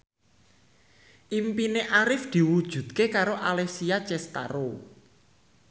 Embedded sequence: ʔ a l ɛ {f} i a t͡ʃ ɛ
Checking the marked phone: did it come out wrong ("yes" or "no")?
yes